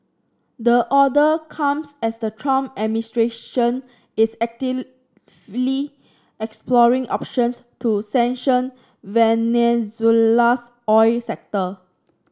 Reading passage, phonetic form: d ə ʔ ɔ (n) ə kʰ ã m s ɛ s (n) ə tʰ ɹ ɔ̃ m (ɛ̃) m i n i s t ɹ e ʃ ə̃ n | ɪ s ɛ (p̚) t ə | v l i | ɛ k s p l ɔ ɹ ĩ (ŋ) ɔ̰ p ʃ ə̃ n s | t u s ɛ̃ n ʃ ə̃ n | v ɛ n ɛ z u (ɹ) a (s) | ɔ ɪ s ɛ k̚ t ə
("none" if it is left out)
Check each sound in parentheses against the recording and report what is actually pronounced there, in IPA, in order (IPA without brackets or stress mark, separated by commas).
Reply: d, d, ɛ, k̚, ŋ, l, s